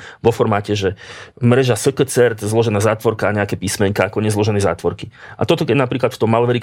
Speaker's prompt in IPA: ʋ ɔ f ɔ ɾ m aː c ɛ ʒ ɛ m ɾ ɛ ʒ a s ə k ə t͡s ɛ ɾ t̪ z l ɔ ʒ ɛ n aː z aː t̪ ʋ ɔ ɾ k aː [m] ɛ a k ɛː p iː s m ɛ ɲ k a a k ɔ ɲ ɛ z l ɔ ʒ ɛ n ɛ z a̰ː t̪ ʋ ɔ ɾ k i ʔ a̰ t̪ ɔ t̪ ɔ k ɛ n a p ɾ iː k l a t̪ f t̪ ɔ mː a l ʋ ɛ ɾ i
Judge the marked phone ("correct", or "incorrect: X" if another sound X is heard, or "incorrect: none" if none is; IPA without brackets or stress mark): incorrect: ɲ